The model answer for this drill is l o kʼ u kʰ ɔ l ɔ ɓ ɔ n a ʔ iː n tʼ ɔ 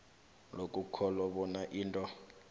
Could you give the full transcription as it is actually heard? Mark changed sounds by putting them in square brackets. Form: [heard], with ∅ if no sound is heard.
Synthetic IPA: l o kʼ u kʰ ɔ l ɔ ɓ ɔ n a ʔ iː n tʼ ɔ